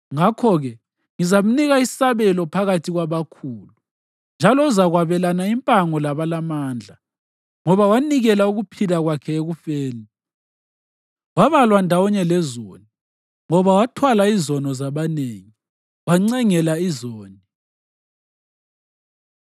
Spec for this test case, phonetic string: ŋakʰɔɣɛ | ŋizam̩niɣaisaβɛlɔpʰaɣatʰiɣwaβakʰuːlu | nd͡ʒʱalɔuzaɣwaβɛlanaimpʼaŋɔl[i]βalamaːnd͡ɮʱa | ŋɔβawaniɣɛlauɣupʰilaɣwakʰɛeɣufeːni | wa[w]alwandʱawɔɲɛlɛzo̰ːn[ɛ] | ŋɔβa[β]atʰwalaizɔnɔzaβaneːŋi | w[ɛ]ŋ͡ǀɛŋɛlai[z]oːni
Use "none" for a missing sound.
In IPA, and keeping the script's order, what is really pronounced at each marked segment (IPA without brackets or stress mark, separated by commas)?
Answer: a, β, i, w, a, z